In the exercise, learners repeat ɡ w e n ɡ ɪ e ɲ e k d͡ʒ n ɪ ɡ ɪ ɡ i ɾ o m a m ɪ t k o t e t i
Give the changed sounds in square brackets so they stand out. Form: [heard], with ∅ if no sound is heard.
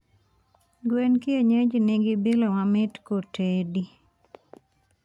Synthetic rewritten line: ɡ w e n [k] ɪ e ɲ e [∅] d͡ʒ n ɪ ɡ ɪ [b] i [l] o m a m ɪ t k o t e [d] i